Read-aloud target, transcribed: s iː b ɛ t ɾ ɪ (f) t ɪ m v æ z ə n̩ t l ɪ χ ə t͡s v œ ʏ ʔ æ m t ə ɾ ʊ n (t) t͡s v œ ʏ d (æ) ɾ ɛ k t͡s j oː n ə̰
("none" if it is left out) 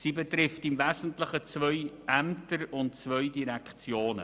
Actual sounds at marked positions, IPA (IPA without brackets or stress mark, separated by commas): f, t, i